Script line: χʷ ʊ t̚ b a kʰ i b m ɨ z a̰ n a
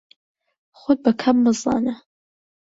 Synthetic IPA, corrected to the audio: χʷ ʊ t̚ b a kʰ a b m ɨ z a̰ n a